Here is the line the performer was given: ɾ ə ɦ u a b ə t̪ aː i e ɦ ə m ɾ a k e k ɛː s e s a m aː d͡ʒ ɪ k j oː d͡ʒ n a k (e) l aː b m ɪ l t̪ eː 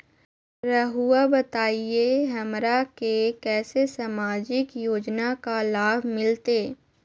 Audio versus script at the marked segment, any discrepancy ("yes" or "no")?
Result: yes